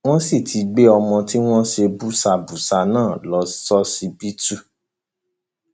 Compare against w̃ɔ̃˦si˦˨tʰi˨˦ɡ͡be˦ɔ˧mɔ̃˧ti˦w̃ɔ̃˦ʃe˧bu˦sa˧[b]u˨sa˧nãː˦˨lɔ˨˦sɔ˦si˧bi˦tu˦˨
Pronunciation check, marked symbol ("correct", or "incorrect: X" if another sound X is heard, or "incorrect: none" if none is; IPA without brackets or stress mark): correct